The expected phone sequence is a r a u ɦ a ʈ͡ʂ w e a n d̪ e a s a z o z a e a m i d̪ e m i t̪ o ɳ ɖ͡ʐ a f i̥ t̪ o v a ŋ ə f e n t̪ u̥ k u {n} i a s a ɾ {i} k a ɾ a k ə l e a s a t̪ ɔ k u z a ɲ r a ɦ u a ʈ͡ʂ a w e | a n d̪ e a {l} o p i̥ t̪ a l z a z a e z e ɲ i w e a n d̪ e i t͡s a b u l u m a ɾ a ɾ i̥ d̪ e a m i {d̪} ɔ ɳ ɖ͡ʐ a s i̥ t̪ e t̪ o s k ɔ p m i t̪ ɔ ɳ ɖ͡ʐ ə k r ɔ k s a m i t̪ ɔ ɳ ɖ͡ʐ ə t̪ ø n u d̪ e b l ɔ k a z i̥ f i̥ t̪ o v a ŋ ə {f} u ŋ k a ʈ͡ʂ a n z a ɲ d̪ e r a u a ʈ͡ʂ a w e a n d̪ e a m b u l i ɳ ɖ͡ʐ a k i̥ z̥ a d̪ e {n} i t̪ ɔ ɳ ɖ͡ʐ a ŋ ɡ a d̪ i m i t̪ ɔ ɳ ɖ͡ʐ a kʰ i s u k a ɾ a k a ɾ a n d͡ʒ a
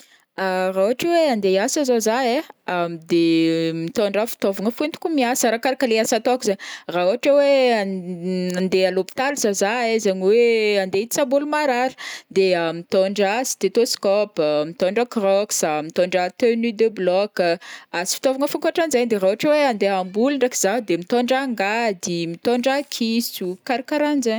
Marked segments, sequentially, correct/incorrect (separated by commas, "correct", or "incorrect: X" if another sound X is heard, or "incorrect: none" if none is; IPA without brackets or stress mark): incorrect: m, incorrect: a, correct, incorrect: t̪, correct, incorrect: m